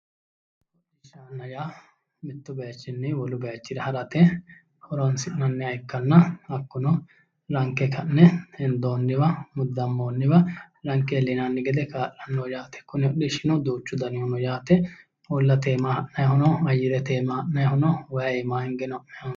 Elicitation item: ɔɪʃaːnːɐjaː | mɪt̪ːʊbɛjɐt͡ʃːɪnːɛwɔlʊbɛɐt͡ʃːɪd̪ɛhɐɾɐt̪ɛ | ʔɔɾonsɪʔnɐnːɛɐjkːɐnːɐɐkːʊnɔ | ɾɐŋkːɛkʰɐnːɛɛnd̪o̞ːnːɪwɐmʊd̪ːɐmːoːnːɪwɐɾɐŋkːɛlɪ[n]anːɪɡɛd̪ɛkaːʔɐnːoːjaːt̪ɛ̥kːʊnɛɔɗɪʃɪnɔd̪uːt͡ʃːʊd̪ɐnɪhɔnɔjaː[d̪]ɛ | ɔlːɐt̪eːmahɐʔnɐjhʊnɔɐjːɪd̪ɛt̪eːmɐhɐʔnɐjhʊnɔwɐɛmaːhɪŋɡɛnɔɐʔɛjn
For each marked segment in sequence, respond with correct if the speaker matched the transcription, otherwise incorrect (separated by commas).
correct, incorrect